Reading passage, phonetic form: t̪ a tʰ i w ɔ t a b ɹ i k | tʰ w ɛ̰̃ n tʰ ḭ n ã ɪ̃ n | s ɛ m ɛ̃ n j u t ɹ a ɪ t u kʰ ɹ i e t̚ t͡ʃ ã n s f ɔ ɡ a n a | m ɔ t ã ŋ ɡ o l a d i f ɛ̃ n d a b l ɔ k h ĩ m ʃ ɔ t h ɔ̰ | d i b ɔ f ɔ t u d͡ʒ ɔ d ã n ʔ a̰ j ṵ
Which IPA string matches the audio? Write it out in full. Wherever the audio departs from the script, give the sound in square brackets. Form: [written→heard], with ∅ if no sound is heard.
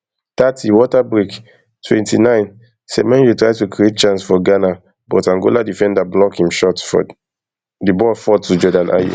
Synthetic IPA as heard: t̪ a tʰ i w ɔ t a b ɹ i k | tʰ w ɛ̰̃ n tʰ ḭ n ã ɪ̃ n | s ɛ m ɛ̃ n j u t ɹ a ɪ t u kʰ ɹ i e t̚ t͡ʃ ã n s f ɔ ɡ a n a | [m→b] ɔ t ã ŋ ɡ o l a d i f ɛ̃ n d a b l ɔ k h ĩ m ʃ ɔ t [h→f] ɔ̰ | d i b ɔ f ɔ t u d͡ʒ ɔ d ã n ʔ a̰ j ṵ